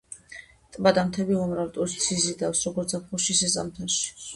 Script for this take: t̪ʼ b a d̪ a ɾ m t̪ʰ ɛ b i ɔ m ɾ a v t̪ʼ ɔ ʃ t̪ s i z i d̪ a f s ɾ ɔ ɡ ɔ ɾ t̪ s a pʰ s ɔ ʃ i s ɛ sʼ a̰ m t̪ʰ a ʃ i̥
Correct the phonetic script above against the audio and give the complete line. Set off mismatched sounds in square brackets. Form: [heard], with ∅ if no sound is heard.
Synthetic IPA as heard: t̪ʼ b a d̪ a [∅] m t̪ʰ ɛ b i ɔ m ɾ a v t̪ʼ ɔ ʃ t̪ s i z i d̪ a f s ɾ ɔ ɡ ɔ ɾ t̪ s a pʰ [χ] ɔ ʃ i s ɛ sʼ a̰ m t̪ʰ a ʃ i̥